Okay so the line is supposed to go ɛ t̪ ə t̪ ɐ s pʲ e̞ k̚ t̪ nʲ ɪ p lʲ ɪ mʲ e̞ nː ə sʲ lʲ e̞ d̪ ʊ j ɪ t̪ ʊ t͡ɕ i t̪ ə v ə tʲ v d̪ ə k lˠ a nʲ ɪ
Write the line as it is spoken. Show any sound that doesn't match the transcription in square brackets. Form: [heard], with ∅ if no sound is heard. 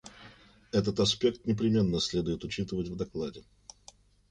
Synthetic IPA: ɛ t̪ ə t̪ ɐ s pʲ e̞ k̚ t̪ nʲ ɪ p [ɾʲ] ɪ mʲ e̞ nː ə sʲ lʲ e̞ d̪ ʊ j ɪ t̪ ʊ t͡ɕ i t̪ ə v ə tʲ v d̪ [ɐ] k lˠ a [dʲ] ɪ